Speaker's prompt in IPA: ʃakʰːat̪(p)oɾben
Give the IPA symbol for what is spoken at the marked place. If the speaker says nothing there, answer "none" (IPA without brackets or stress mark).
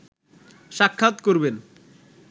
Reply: k